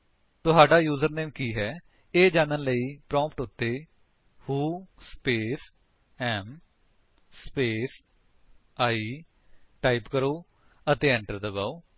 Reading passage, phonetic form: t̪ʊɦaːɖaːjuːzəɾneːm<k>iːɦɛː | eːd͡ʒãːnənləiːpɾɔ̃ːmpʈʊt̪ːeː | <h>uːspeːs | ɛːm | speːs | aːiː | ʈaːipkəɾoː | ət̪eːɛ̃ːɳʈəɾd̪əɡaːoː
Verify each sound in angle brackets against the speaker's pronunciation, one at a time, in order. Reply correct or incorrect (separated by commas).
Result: correct, correct